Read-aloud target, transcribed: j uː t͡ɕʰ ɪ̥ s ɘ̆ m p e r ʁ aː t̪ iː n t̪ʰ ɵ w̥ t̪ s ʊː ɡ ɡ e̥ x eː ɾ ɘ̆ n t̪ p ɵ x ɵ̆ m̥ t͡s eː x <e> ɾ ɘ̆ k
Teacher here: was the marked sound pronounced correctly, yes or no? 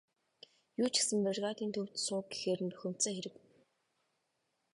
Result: yes